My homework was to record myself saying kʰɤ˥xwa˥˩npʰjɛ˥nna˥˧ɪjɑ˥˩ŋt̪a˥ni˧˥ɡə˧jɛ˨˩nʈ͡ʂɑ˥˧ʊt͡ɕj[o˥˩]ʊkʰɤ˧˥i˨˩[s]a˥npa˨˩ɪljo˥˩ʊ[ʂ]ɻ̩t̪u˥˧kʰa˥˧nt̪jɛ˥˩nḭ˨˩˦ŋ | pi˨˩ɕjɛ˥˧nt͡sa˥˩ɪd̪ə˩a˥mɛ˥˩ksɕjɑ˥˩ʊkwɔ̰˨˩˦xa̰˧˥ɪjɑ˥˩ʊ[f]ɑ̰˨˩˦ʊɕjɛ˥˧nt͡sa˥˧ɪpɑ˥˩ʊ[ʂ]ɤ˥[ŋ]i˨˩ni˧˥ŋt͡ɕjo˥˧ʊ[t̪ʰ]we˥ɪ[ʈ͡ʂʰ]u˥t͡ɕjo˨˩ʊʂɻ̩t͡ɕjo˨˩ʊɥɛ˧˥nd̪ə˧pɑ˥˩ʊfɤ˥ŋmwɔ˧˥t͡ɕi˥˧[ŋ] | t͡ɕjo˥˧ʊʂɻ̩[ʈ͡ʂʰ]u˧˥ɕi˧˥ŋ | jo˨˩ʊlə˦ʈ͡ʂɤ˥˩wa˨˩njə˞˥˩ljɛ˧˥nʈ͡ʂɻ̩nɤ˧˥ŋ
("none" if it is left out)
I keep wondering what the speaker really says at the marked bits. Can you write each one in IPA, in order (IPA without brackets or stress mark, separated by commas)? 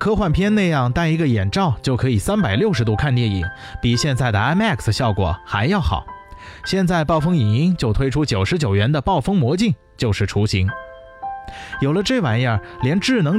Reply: o˥˩, s, ʂ, x, f, ŋ, t̪ʰ, ʈ͡ʂʰ, ŋ, ʈ͡ʂʰ